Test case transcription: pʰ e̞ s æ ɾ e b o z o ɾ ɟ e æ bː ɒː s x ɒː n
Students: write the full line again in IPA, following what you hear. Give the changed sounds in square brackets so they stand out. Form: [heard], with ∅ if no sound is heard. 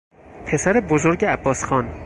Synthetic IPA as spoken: pʰ e̞ s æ ɾ e b o z o ɾ ɟ e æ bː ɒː s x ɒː n